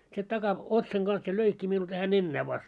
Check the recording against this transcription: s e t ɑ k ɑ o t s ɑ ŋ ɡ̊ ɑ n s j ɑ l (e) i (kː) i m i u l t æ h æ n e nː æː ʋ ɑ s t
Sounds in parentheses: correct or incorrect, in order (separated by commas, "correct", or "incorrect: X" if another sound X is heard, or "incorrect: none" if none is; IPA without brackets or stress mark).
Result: incorrect: ø, correct